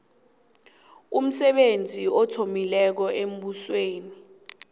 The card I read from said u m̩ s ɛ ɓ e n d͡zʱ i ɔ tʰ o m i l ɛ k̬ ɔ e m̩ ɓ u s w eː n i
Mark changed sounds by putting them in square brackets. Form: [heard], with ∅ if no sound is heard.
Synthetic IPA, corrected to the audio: u m̩ s ɛ ɓ e n d͡zʱ i ɔ tʰ o m i l ɛ k̬ ɔ e m̩ ɓ u s w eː n i